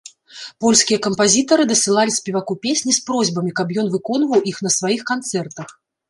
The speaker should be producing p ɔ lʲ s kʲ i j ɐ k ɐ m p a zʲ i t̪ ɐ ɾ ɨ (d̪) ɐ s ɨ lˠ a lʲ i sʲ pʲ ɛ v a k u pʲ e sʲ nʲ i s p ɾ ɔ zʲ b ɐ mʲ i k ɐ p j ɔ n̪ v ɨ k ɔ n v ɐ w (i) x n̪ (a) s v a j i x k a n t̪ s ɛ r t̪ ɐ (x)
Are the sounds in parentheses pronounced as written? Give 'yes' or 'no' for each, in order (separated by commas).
yes, yes, no, yes